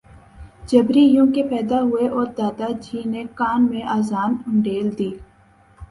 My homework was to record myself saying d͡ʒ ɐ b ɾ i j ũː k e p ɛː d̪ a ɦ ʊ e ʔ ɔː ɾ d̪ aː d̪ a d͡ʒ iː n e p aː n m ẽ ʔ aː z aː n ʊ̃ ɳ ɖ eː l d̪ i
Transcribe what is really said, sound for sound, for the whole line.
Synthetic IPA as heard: d͡ʒ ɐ b ɾ i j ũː k e p ɛː d̪ a ɦ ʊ e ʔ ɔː ɾ d̪ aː d̪ a d͡ʒ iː n e k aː n m ẽ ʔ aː z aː n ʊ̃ ɳ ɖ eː l d̪ iː